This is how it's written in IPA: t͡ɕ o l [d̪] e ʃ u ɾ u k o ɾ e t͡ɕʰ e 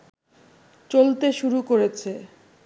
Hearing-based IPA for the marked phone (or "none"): t̪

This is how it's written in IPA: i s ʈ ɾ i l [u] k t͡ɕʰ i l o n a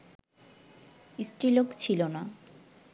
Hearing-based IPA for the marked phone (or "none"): o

